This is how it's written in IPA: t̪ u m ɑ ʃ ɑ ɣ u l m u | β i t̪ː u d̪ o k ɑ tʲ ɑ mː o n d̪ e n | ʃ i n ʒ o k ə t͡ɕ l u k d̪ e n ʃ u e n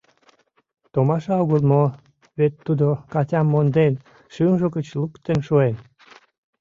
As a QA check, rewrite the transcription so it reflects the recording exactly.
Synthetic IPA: t̪ o m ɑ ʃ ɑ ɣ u l m o | β e t̪ː u d̪ o k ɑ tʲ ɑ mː o n d̪ e n | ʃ y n ʒ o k ə t͡ɕ l u k t̪ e n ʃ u e n